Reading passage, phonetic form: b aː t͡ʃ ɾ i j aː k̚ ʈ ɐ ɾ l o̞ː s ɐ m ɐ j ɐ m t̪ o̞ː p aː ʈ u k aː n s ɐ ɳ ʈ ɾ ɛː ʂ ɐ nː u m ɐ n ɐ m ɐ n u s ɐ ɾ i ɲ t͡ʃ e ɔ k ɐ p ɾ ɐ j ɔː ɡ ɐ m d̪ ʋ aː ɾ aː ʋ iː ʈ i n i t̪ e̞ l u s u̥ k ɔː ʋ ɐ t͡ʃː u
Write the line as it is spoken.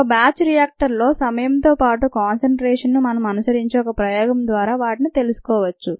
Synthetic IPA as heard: b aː t͡ʃ ɾ i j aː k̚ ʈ ɐ ɾ l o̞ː s ɐ m ɐ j ɐ m t̪ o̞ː p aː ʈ u k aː n s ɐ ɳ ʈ ɾ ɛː ʂ ɐ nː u m ɐ n ɐ m ɐ n u s ɐ ɾ i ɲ t͡ʃ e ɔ k ɐ p ɾ ɐ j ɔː ɡ ɐ m d̪ ʋ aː ɾ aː ʋ aː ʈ i n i t̪ e̞ l u s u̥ k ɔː ʋ ɐ t͡ʃː u